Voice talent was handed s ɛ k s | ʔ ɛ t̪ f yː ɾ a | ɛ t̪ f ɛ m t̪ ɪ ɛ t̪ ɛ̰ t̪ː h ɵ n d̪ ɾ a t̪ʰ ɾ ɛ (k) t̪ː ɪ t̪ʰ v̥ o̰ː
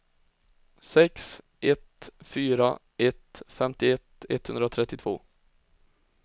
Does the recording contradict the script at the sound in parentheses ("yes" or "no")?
yes